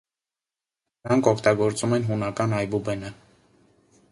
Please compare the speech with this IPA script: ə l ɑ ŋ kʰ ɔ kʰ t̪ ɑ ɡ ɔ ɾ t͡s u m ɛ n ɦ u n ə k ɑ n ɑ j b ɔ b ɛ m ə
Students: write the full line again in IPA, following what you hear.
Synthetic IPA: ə ɾ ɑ ŋ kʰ ɔ kʰ t̪ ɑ ɡ ɔ ɾ t͡s u m ɛ n ɦ u n ɑ k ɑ n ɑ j b u b ɛ n ə